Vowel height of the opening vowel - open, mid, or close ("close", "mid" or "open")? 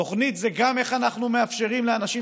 mid